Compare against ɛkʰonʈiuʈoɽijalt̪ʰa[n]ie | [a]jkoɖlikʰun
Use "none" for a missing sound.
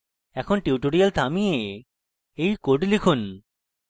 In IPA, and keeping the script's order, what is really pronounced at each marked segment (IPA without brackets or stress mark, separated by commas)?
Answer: m, e